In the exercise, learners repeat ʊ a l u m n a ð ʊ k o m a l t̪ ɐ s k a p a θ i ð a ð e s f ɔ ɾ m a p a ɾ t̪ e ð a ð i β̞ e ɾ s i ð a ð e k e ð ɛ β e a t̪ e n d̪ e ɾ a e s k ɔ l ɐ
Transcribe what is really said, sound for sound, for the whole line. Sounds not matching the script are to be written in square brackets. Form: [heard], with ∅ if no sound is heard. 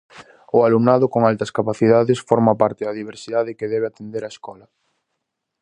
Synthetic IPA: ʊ a l u m n a ð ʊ k o [ŋ] a l t̪ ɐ s k a p a θ i ð a ð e s f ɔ ɾ m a p a ɾ t̪ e ð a ð i β̞ e ɾ s i ð a ð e k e ð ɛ β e a t̪ e n d̪ e ɾ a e s k ɔ l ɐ